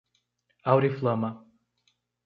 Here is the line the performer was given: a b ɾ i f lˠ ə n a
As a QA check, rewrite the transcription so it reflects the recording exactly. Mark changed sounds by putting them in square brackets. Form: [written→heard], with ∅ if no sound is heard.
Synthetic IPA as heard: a [b→w] ɾ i f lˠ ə [n→m] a